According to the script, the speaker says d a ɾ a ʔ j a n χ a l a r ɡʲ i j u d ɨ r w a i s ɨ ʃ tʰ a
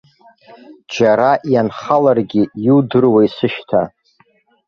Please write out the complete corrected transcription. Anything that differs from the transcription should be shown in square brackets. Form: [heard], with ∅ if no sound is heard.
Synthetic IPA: [d͡ʒ] a ɾ a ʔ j a n χ a l a r ɡʲ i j u d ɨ r w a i s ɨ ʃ tʰ a

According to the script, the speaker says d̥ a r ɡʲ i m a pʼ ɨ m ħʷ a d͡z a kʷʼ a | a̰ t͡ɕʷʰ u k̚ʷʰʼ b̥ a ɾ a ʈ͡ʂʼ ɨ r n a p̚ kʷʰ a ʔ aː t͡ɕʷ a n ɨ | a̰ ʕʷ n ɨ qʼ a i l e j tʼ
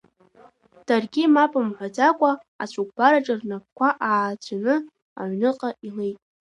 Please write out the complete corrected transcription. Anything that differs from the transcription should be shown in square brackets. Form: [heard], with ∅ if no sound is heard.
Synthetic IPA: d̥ a r ɡʲ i m a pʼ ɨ m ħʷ a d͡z a kʷʼ a | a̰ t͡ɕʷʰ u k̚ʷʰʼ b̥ a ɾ a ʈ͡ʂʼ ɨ r n a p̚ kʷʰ a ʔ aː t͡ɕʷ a n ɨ | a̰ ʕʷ n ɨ qʼ a i l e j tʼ

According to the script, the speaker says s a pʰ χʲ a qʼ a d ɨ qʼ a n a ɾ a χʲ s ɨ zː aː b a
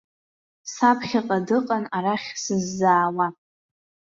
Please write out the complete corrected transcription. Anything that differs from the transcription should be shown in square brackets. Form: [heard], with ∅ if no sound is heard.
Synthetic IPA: s a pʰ χʲ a qʼ a d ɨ qʼ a n a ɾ a χʲ s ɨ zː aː [w] a

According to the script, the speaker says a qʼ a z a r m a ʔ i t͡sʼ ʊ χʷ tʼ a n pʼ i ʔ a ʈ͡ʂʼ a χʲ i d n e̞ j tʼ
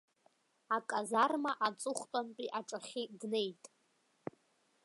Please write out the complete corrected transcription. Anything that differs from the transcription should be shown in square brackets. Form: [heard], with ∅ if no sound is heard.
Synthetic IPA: a [kʼ] a z a r m a ʔ [a] t͡sʼ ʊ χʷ tʼ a n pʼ i ʔ a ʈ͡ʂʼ a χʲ i d n e̞ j tʼ

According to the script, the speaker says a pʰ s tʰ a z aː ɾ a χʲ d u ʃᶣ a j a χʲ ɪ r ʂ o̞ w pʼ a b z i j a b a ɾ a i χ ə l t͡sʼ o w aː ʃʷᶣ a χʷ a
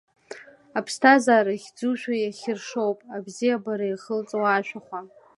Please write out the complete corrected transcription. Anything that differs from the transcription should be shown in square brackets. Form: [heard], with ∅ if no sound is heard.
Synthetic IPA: a pʰ s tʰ a z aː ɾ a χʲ [d͡z] u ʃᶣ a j a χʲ ɪ r ʂ o̞ w pʼ a b z i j a b a ɾ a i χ ə l t͡sʼ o w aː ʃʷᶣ a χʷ a

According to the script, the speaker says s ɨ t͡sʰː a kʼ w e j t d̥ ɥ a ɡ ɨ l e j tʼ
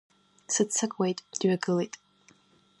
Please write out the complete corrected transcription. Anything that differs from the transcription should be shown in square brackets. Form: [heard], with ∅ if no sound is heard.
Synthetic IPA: s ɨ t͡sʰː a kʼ w e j [tʼ] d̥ ɥ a ɡ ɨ l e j tʼ

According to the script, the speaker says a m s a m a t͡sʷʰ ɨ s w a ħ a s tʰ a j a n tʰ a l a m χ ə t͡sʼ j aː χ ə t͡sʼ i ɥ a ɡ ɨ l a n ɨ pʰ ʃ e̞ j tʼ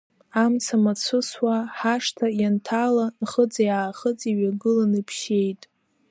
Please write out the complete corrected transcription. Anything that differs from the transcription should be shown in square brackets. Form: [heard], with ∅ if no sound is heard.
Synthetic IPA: a m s a m a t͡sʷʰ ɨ s w a ħ a [ʂ] tʰ a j a n tʰ a l a [n] χ ə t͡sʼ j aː χ ə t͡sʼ i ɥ a ɡ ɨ l a n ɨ pʰ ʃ e̞ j tʼ

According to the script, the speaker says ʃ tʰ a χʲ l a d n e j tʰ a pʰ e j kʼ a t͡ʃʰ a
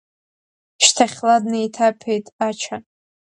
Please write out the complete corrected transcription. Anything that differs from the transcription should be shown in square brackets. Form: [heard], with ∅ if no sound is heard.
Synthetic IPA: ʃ tʰ a χʲ l a d n e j tʰ a pʰ e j [tʼ] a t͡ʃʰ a

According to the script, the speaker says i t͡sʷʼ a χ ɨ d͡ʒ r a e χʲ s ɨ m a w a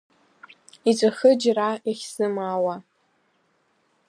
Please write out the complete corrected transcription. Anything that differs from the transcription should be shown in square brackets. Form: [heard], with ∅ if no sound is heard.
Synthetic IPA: i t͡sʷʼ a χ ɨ d͡ʒ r a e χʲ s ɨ m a w a

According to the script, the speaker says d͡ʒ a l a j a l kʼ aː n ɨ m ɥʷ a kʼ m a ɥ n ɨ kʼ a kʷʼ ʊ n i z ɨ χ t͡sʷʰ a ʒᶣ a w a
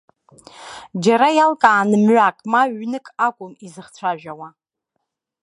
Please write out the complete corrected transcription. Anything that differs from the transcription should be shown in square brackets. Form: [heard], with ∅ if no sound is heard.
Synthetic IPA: d͡ʒ a [ɾ] a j a l kʼ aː n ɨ m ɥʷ a kʼ m a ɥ n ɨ kʼ a kʷʼ ʊ [m] i z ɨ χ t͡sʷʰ a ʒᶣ a w a

